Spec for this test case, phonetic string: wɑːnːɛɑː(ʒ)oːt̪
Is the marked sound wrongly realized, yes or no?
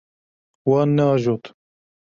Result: no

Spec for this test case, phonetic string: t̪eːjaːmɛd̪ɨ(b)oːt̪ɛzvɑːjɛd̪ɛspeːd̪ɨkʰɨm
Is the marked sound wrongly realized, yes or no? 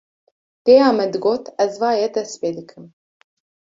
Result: yes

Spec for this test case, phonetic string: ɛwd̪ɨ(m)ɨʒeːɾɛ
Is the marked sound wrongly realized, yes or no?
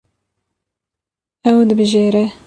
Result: yes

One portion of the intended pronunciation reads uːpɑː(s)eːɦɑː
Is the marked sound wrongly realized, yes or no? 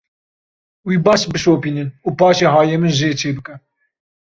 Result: yes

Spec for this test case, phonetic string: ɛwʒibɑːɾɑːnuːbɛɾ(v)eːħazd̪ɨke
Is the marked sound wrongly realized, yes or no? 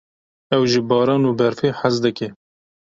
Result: yes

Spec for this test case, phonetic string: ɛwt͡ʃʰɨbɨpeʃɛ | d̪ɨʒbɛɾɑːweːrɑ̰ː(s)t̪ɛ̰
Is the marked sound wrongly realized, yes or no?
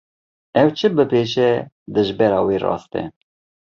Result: no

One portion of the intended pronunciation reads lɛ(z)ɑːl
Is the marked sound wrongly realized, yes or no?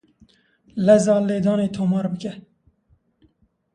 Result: no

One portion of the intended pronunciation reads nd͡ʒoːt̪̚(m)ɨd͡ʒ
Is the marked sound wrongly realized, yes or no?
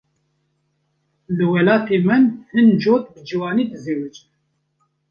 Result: yes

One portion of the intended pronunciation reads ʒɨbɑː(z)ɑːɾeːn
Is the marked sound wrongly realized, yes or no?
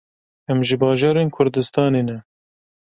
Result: yes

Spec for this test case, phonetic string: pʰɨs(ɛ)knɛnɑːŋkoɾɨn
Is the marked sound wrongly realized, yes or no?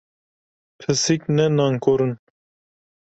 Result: yes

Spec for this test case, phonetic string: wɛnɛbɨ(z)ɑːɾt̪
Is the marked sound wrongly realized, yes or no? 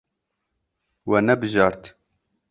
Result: yes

